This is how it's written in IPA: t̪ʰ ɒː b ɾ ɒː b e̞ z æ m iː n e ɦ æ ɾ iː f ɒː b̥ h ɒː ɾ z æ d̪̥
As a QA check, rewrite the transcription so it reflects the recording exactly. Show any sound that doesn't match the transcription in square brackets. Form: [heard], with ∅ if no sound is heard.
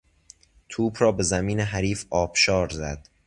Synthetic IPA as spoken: t̪ʰ [uː] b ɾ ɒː b e̞ z æ m iː n e ɦ æ ɾ iː f ɒː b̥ [ʃ] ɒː ɾ z æ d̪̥